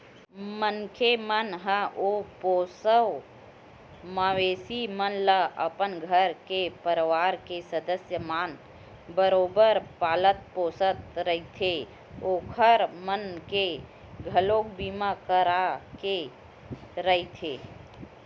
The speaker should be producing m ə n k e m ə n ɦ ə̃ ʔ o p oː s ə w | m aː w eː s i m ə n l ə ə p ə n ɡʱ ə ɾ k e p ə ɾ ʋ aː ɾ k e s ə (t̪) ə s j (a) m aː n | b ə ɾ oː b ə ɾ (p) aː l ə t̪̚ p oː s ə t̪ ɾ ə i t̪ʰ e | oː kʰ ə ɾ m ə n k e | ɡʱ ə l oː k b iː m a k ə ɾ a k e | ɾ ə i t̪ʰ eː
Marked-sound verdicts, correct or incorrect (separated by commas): incorrect, incorrect, correct